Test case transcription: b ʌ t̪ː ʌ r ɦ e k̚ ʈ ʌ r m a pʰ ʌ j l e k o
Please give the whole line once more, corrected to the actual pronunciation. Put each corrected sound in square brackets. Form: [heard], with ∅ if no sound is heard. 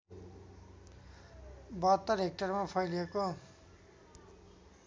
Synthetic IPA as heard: b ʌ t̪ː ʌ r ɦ e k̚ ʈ ʌ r m a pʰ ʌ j l e k o